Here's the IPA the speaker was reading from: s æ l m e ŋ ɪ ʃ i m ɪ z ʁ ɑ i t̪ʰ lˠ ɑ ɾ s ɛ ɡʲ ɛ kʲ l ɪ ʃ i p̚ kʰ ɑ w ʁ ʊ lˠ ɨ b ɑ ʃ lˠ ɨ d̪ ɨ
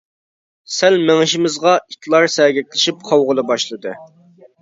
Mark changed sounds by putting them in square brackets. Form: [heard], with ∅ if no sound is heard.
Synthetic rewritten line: s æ l m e ŋ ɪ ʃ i m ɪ z ʁ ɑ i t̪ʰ lˠ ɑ ɾ s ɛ ɡʲ ɛ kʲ l ɪ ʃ i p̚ [qʰ] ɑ w ʁ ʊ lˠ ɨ b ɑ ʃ lˠ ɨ d̪ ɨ

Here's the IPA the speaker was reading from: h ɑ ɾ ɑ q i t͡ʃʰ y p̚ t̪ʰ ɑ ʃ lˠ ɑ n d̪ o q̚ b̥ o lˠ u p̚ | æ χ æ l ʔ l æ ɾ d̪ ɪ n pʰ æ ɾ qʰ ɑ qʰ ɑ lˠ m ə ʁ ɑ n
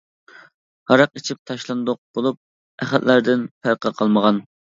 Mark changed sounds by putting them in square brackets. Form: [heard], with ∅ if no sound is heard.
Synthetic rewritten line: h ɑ ɾ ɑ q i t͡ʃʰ [i] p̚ t̪ʰ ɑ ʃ lˠ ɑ n d̪ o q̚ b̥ o lˠ u p̚ | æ χ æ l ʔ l æ ɾ d̪ ɪ n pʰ æ ɾ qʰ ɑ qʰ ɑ lˠ m ə ʁ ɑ n

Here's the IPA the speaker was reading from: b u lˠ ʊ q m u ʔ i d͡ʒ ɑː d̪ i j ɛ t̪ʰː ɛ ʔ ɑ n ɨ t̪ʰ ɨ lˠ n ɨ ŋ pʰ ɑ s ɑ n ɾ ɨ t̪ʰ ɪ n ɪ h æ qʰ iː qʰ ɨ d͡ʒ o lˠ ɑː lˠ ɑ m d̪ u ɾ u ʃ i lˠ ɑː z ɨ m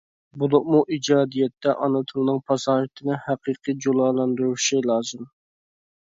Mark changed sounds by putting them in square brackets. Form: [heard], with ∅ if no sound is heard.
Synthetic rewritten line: b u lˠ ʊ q m u ʔ i d͡ʒ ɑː d̪ i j ɛ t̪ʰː ɛ ʔ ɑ n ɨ t̪ʰ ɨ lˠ n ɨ ŋ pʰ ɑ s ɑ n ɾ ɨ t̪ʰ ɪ n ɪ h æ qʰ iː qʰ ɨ d͡ʒ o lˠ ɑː lˠ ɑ [n] d̪ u ɾ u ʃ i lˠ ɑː z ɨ m

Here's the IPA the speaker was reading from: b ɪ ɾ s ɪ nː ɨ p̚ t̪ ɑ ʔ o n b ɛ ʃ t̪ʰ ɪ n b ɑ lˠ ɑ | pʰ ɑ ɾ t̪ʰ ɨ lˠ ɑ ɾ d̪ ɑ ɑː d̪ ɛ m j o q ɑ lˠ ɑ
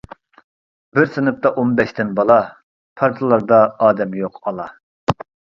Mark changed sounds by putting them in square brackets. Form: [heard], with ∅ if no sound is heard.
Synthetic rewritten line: b ɪ ɾ s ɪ [n] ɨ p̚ t̪ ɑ ʔ o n b ɛ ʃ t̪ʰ ɪ n b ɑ lˠ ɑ | pʰ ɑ ɾ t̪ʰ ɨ lˠ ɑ ɾ d̪ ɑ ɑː d̪ ɛ m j o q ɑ lˠ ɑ

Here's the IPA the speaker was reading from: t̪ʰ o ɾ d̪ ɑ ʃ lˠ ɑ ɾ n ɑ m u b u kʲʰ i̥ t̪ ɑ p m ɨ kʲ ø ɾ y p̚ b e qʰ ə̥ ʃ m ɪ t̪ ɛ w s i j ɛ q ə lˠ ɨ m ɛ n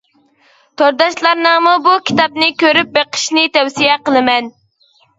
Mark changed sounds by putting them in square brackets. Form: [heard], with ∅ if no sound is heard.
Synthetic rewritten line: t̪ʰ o ɾ d̪ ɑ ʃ lˠ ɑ ɾ n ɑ m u b u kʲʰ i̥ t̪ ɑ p [n] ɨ kʲ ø ɾ y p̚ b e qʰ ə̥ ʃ [n] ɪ t̪ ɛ w s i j ɛ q ə lˠ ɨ m ɛ n

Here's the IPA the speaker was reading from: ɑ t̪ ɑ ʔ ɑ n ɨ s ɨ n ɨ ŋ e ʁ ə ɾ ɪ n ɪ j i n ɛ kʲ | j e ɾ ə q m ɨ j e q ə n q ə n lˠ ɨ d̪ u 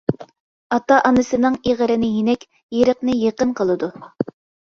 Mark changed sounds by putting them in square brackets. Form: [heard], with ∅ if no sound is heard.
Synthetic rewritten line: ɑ t̪ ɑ ʔ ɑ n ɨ s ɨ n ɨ ŋ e ʁ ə ɾ ɪ n ɪ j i n ɛ kʲ | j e ɾ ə q [n] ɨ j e q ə n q ə [∅] lˠ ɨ d̪ u

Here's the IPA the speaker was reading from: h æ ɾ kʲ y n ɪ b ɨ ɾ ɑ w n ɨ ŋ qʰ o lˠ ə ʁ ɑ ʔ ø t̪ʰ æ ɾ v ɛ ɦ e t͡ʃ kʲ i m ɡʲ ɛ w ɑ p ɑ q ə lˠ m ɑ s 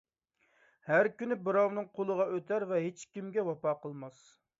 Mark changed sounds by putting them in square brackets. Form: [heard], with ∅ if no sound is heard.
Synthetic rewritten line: h æ ɾ kʲ y n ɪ b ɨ ɾ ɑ w n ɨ ŋ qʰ o lˠ ə ʁ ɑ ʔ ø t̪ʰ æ ɾ v ɛ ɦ e t͡ʃ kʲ i m ɡʲ ɛ w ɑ p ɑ q ə lˠ m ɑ s

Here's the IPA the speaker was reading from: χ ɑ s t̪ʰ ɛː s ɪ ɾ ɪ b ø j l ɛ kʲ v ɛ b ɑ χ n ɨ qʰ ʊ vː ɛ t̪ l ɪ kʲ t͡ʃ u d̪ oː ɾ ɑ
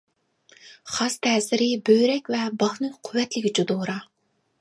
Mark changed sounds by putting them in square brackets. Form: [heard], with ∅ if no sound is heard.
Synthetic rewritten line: χ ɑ s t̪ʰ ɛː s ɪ ɾ ɪ b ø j [ɾ] ɛ kʲ v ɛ b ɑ χ n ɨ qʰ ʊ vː ɛ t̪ l ɪ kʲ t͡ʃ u d̪ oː ɾ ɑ

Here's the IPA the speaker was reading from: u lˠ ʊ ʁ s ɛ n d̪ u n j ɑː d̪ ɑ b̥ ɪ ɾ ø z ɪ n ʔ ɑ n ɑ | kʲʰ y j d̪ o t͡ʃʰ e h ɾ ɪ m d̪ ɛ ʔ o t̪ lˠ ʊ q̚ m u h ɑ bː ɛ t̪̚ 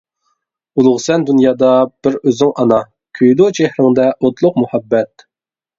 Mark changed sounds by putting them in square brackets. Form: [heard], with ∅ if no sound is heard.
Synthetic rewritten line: u lˠ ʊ ʁ s ɛ n d̪ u n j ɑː d̪ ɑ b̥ ɪ ɾ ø z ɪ [ŋ] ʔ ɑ n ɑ | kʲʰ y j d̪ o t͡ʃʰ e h ɾ ɪ [ŋ] d̪ ɛ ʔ o t̪ lˠ ʊ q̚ m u h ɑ bː ɛ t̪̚

